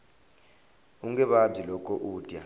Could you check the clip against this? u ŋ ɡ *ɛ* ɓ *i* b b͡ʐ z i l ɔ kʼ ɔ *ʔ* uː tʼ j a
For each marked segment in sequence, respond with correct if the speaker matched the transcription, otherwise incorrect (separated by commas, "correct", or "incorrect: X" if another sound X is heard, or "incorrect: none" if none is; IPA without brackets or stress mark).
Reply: correct, incorrect: a, correct